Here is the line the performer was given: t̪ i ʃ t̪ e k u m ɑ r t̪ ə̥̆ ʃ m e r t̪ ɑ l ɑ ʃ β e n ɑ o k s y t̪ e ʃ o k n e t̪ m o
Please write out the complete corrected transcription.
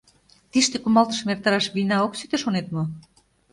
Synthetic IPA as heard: t̪ i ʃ t̪ e k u m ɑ l t̪ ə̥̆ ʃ m e r t̪ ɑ ɾ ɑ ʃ β i n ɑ o k s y t̪ e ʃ o n e t̪ m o